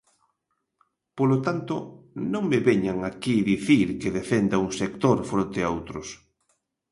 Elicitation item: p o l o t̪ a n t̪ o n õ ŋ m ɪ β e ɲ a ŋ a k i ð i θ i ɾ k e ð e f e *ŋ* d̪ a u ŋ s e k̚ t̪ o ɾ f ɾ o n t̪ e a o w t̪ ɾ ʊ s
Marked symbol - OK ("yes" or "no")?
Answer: no